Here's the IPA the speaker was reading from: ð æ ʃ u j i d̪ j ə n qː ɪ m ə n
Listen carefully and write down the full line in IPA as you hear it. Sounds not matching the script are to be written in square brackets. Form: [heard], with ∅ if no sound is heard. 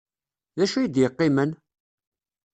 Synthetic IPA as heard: ð æ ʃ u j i d̪ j ə [∅] qː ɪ m ə n